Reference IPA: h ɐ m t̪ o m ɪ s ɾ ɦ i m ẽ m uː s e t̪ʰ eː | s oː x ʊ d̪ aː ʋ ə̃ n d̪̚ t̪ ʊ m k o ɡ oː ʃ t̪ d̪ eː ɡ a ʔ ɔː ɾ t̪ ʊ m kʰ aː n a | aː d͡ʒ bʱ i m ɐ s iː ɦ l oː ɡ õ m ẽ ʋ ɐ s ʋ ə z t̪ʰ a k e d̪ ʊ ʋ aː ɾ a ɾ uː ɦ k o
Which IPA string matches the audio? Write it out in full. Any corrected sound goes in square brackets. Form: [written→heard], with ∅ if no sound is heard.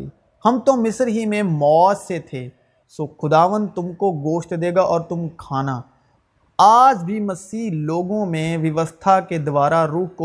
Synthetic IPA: h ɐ m t̪ o m ɪ s ɾ ɦ i m ẽ m [uː→ɔː] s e t̪ʰ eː | s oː x ʊ d̪ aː ʋ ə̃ n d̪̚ t̪ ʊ m k o ɡ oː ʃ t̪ d̪ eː ɡ a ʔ ɔː ɾ t̪ ʊ m kʰ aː n a | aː d͡ʒ bʱ i m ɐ s iː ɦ l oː ɡ õ m ẽ ʋ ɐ [s→∅] ʋ ə [z→s] t̪ʰ a k e d̪ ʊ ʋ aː ɾ a ɾ uː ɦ k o